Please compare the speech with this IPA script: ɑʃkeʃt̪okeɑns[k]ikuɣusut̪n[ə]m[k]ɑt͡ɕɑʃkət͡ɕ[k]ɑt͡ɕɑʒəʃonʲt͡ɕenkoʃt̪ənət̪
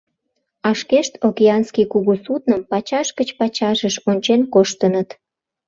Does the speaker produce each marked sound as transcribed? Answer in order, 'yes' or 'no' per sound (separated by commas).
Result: yes, yes, no, no